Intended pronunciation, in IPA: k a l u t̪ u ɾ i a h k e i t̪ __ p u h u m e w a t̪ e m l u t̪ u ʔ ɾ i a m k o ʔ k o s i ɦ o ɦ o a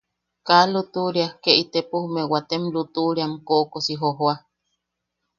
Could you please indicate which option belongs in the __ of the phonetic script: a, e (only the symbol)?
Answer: e